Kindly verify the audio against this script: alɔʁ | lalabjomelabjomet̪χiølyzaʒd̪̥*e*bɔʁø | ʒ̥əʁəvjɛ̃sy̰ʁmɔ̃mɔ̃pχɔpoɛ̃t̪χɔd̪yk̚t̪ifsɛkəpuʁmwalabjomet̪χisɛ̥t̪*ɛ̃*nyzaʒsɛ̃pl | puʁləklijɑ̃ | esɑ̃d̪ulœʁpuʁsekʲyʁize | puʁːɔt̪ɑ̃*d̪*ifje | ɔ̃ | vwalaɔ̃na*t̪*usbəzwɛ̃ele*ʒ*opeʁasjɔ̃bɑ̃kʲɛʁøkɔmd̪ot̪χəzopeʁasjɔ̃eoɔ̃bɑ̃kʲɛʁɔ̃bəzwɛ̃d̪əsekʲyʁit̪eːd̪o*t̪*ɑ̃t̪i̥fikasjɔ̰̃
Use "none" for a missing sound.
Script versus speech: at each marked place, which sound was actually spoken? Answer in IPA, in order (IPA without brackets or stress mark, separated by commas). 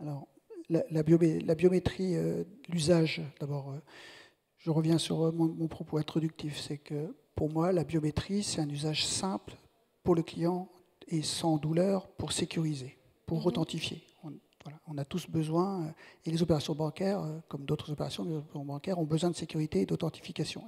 a, ɛ̃, t̪, t̪, z, t̪